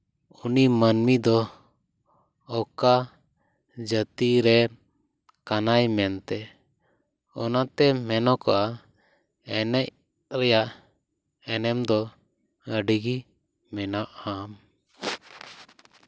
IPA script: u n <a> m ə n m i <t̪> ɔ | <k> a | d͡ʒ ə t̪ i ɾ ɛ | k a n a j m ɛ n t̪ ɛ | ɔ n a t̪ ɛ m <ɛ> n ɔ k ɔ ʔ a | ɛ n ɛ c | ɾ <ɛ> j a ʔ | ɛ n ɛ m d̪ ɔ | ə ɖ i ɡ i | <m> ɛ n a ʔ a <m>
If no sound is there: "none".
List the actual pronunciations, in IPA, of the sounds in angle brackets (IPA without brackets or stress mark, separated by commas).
i, d̪, k, ɛ, ɛ, m, m